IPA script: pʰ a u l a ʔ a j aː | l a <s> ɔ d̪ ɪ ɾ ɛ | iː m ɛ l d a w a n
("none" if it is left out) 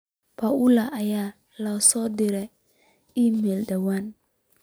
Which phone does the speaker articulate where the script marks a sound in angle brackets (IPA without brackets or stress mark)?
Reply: s